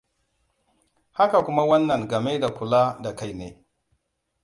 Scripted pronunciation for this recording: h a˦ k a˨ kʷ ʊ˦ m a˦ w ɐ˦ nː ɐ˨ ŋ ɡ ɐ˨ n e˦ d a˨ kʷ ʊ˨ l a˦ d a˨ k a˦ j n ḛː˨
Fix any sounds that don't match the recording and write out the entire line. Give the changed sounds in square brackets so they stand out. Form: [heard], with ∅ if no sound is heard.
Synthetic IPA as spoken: h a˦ k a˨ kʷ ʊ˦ m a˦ w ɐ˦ nː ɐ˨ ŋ ɡ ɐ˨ [m] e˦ d a˨ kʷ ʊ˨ l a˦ d a˨ k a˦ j n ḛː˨